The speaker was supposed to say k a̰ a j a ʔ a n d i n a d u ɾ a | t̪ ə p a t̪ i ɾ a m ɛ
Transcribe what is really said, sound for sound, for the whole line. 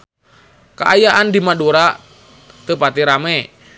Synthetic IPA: k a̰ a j a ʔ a n d i m a d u ɾ a | t̪ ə p a t̪ i ɾ a m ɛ

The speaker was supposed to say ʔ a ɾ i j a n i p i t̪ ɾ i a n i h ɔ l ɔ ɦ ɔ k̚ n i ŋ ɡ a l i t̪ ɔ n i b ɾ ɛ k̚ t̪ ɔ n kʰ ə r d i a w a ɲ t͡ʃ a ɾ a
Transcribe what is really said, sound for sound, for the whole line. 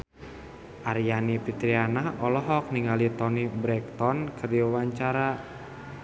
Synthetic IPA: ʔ a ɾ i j a n i p i t̪ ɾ i a n a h ɔ l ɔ ɦ ɔ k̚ n i ŋ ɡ a l i t̪ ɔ n i b ɾ ɛ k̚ t̪ ɔ n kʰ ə r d i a w a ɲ t͡ʃ a ɾ a

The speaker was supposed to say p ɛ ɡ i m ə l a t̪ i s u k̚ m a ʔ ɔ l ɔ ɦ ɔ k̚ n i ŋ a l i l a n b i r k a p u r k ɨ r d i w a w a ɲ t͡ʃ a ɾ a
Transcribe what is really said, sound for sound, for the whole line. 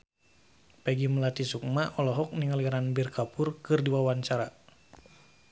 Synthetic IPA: p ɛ ɡ i m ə l a t̪ i s u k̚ m a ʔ ɔ l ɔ ɦ ɔ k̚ n i ŋ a l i ɾ a n b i r k a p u r k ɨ r d i w a w a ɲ t͡ʃ a ɾ a

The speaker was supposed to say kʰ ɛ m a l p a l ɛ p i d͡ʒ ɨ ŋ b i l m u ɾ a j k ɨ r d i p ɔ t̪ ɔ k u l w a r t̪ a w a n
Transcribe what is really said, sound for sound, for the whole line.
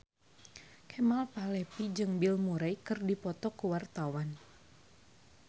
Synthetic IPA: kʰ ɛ m a l p a l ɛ p i d͡ʒ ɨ ŋ b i l m u ɾ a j k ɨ r d i p ɔ t̪ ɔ k u w a r t̪ a w a n

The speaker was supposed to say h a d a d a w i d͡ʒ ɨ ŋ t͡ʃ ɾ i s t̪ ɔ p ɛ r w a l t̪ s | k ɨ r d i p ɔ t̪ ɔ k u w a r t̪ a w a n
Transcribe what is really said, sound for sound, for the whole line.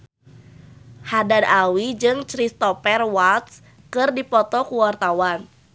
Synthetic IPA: h a d a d a w i d͡ʒ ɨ ŋ t͡ʃ ɾ i s t̪ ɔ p ɛ r w a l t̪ s | k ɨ r d i p ɔ t̪ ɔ k u w a r t̪ a w a n

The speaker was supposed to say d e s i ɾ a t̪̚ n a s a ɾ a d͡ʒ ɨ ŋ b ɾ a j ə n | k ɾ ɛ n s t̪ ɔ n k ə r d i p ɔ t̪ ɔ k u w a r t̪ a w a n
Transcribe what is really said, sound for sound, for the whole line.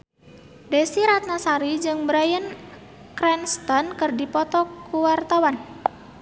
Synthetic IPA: d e s i ɾ a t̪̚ n a s a ɾ i d͡ʒ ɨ ŋ b ɾ a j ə n | k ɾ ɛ n s t̪ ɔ n k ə r d i p ɔ t̪ ɔ k u w a r t̪ a w a n

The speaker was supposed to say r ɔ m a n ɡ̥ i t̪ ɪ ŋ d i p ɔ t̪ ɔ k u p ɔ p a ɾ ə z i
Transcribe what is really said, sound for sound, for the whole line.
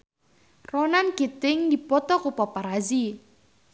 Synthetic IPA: r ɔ n a n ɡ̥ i t̪ ɪ ŋ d i p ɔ t̪ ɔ k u p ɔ p a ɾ a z i

